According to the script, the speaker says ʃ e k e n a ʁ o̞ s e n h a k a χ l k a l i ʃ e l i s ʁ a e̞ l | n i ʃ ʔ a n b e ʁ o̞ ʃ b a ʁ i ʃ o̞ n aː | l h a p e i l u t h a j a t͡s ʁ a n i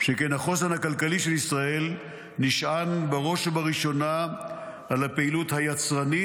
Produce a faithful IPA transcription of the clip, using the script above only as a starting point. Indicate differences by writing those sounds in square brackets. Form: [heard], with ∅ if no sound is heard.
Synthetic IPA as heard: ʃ e k e n a [χ] o̞ s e n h a k a [∅] l k a l i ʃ e l i s ʁ a e̞ l | n i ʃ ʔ a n b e ʁ o̞ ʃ b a ʁ i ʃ o̞ n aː | l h a p e i l u t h a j a t͡s ʁ a n i